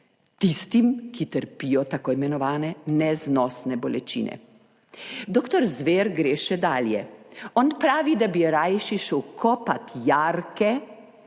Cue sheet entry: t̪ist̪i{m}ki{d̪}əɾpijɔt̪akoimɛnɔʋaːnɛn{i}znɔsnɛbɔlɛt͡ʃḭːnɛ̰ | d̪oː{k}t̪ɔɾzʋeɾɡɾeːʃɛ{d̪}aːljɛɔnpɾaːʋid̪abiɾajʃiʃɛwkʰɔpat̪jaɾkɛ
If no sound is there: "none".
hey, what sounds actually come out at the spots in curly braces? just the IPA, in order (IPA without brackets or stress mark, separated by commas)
m, t̪, ɛ, k, d̪